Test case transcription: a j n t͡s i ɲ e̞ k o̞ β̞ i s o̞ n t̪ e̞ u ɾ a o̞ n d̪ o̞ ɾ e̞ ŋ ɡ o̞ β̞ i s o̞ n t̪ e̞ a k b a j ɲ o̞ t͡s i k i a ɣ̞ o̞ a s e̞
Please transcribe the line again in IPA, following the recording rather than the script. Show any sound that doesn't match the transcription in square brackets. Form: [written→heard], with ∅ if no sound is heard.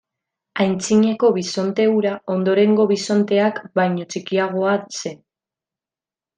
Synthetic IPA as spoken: a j n t͡s i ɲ e̞ k o̞ β̞ i s o̞ n t̪ e̞ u ɾ a o̞ n d̪ o̞ ɾ e̞ ŋ ɡ o̞ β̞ i s o̞ n t̪ e̞ a k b a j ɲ o̞ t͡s i k i a ɣ̞ o̞ a s e̞